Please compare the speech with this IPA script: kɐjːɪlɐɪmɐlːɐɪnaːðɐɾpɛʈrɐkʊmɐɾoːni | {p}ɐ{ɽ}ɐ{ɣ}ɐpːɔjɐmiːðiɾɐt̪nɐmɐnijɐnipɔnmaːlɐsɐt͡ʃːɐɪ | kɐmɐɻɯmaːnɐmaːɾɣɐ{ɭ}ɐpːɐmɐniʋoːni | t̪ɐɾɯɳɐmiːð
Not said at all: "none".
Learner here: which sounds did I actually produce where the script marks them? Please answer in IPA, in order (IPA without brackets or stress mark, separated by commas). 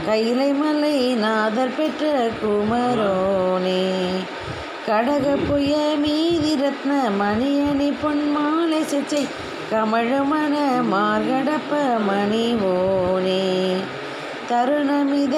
k, ɽ, ɣ, ɽ